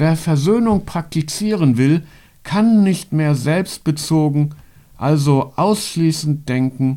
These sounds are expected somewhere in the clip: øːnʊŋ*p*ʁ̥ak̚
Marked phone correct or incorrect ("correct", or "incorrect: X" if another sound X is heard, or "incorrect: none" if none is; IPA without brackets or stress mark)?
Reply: correct